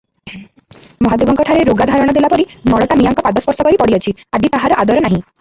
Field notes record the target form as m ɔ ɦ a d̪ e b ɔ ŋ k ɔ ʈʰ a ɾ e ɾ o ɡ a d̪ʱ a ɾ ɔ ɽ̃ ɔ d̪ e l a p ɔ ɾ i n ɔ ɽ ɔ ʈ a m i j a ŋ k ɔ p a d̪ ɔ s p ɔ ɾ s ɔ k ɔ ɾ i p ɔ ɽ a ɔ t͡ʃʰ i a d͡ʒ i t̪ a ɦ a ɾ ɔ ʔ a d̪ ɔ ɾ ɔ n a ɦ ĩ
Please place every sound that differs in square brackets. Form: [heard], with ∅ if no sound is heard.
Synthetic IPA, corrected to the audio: m ɔ ɦ a d̪ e b ɔ ŋ k ɔ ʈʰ a ɾ e ɾ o ɡ a d̪ʱ a ɾ ɔ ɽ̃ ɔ d̪ e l a p ɔ ɾ i n ɔ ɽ ɔ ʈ a m i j a ŋ k ɔ p a d̪ ɔ s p ɔ ɾ s ɔ k ɔ ɾ i p ɔ ɽ [i] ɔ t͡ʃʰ i a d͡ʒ i t̪ a ɦ a ɾ ɔ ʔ a d̪ ɔ ɾ ɔ n a ɦ ĩ